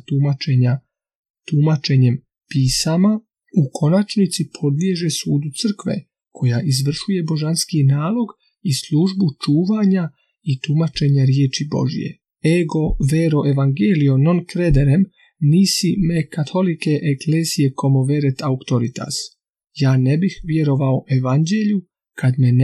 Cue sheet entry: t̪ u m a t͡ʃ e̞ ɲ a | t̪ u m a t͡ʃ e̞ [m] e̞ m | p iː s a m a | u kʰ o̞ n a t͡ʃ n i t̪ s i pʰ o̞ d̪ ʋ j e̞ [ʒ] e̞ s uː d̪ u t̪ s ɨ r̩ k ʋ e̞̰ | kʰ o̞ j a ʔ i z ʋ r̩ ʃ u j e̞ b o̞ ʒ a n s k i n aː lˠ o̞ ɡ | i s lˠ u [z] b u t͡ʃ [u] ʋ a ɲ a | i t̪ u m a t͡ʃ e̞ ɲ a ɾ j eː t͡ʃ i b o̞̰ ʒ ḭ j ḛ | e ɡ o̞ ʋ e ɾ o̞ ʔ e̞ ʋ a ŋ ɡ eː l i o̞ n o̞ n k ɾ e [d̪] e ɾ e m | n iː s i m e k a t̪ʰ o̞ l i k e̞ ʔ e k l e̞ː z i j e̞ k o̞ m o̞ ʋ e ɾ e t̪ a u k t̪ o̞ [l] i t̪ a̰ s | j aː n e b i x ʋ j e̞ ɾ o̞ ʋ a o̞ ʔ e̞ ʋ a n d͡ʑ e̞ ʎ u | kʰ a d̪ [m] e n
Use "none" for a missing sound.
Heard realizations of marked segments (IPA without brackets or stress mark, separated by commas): ɲ, ʒ, ʒ, uː, d̪, ɾ, m